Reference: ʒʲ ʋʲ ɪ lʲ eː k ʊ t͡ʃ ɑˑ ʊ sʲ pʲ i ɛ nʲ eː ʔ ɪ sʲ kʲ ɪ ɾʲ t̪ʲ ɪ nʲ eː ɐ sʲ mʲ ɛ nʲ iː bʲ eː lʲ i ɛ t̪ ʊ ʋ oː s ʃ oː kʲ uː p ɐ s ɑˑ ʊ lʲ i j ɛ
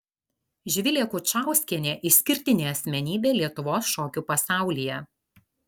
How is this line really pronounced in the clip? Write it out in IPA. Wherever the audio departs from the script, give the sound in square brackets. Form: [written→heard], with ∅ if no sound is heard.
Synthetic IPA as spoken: ʒʲ ʋʲ ɪ lʲ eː k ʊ t͡ʃ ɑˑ ʊ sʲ [pʲ→kʲ] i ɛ nʲ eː ʔ ɪ sʲ kʲ ɪ ɾʲ t̪ʲ ɪ nʲ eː ɐ sʲ mʲ ɛ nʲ iː bʲ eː lʲ i ɛ t̪ ʊ ʋ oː s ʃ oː kʲ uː p ɐ s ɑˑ ʊ lʲ i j ɛ